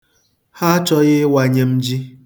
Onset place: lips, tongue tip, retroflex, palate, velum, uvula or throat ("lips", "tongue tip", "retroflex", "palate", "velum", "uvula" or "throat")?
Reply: throat